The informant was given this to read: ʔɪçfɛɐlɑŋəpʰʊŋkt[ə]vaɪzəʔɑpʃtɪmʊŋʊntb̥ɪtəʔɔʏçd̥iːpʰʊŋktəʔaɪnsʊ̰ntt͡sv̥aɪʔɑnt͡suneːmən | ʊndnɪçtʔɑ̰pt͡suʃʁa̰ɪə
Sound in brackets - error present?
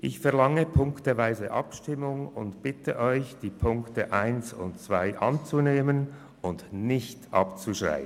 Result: no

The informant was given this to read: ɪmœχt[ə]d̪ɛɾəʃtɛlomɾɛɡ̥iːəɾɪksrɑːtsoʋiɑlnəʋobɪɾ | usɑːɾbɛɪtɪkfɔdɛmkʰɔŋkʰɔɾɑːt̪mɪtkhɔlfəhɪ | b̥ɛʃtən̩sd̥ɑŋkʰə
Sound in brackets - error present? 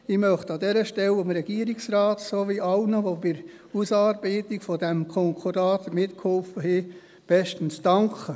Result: yes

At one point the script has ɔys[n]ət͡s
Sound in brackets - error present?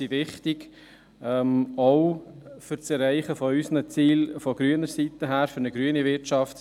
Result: no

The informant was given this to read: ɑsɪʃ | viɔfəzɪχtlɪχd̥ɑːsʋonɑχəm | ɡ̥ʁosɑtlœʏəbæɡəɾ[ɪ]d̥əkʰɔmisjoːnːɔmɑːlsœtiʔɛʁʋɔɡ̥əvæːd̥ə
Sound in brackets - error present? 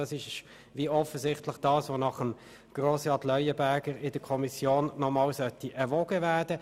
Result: no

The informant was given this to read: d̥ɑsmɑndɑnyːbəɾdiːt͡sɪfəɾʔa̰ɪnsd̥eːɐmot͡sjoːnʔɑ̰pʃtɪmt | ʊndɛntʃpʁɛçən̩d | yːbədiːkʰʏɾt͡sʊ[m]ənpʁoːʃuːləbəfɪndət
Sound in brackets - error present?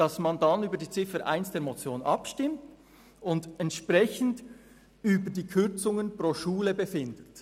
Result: yes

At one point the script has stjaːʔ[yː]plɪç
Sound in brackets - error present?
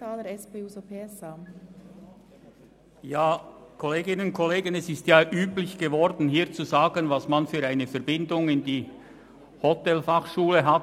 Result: no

